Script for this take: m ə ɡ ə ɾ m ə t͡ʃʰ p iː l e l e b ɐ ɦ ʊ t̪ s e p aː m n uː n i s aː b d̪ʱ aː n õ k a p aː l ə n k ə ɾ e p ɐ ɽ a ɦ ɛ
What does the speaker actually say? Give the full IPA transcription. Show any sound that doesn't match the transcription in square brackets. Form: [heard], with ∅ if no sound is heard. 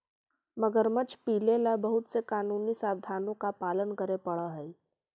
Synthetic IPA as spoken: m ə ɡ ə ɾ m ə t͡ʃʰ p iː l e l [a] b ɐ ɦ ʊ t̪ s e [k] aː [∅] n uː n i s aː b d̪ʱ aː n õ k a p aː l ə n k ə ɾ e p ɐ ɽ a ɦ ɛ